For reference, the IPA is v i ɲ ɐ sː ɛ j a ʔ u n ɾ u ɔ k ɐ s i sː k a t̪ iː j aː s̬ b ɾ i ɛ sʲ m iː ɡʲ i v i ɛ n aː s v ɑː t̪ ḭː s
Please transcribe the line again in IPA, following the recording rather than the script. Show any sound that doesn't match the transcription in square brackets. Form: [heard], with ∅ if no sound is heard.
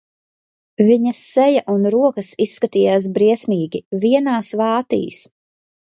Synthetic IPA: v i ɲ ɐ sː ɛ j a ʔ u n ɾ u ɔ k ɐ s i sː k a t̪ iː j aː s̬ b ɾ i ɛ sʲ m iː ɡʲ i v i ɛ n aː s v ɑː t̪ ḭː s